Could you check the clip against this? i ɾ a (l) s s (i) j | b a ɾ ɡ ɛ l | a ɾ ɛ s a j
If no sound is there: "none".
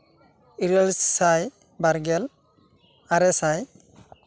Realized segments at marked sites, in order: l, a

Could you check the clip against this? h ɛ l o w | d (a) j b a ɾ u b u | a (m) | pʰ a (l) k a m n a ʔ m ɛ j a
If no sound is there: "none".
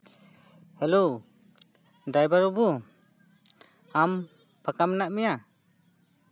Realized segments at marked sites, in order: a, m, none

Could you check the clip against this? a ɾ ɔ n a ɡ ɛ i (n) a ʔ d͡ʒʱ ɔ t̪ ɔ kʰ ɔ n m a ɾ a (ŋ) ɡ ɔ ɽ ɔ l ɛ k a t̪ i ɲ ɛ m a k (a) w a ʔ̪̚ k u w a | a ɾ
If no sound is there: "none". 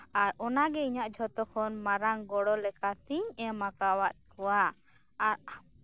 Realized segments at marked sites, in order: ɲ, ŋ, a

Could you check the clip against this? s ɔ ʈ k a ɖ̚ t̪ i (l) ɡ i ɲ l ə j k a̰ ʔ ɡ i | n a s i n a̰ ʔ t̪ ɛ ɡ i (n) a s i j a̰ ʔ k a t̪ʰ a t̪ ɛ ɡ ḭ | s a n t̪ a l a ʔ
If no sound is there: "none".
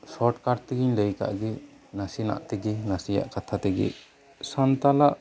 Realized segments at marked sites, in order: none, n

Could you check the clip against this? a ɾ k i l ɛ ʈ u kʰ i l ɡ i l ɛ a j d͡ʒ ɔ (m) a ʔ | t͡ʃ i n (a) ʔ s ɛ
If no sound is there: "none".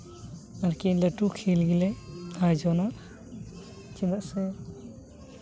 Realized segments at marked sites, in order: n, a

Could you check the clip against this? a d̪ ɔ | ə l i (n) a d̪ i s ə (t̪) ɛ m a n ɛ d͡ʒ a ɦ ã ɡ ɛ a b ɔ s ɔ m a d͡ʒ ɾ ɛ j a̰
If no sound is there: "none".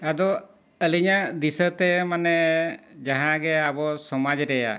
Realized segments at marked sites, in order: ɲ, t̪

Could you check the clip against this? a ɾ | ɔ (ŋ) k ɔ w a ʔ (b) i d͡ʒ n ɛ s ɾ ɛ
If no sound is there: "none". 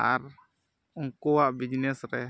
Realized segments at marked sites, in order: ŋ, b

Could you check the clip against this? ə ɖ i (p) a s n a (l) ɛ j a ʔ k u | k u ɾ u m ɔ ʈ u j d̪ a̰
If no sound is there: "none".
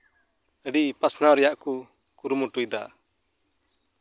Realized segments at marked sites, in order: p, ɾ

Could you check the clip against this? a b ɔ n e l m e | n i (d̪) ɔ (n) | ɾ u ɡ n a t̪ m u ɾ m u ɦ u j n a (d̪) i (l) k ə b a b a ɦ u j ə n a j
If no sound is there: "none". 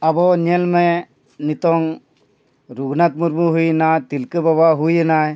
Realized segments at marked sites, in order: t̪, ŋ, t̪, l

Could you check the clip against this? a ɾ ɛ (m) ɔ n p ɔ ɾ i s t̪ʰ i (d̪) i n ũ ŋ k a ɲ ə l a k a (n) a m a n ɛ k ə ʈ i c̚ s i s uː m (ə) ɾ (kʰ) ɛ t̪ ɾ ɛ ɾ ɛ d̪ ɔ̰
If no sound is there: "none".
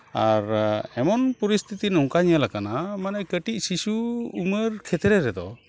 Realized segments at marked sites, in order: m, t̪, n, ə, kʰ

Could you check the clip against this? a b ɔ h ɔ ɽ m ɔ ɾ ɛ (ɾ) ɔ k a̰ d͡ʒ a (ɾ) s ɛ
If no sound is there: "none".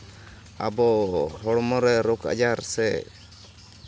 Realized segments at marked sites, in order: ɾ, ɾ

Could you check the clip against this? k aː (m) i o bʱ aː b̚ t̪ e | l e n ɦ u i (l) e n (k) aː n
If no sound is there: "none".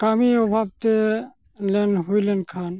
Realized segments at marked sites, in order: m, l, kʰ

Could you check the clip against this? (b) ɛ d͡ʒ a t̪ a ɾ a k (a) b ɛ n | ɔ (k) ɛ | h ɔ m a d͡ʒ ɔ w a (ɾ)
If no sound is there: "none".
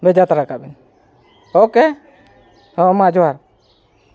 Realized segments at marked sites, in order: b, a, k, ɾ

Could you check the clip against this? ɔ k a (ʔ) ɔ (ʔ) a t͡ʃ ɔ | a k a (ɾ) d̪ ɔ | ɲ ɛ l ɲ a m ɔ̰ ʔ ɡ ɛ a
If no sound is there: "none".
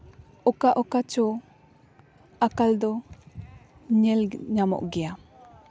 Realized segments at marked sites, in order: ʔ, k, l

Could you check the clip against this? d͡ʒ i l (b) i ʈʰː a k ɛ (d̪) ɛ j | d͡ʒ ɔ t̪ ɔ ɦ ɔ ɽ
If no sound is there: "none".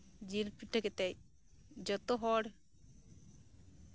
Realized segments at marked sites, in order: p, t̪

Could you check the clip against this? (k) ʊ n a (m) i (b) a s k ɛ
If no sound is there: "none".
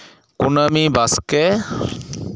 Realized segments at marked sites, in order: k, m, b

